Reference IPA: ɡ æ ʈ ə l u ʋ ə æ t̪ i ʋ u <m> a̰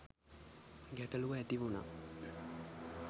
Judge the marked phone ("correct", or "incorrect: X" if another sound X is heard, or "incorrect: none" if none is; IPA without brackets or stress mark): incorrect: n